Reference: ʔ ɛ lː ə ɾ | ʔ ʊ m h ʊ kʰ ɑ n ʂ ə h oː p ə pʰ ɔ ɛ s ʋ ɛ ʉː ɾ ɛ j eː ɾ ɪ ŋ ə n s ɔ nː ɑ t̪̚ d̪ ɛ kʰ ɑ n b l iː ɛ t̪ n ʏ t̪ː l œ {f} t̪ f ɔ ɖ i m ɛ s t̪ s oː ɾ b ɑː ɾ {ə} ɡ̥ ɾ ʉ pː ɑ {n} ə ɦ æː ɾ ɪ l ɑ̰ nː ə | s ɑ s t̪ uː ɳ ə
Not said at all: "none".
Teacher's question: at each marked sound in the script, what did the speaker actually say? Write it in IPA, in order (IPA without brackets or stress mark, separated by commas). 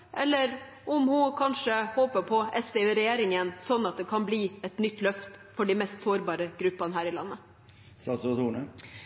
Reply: f, ə, n